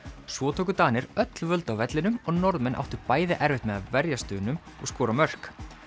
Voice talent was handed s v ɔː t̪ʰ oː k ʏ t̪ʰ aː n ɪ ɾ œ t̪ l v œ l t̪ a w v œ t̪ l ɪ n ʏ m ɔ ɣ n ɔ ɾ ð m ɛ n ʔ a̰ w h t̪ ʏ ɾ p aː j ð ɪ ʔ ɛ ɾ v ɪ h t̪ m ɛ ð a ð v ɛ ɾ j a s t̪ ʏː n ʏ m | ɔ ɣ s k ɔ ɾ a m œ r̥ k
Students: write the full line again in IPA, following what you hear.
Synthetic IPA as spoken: s v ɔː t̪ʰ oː k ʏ t̪ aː n ɪ ɾ œ t̪ l v œ l t̪ a w v ɛ t̪ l ɪ n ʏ m ɔ ɣ n ɔ ɾ ð m ɛ n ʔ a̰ w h t̪ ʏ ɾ p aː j ð ɪ ʔ ɛ ɾ v ɪ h t̪ m ɛ ð a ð v ɛ ɾ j a s t̪ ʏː n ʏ m | ɔ ɣ s k ɔː ɾ a m œ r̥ k